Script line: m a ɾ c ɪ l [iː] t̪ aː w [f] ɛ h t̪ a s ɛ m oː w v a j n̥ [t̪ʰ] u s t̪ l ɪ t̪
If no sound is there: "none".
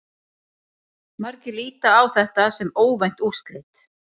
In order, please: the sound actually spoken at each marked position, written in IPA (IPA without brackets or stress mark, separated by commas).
iː, θ, t̪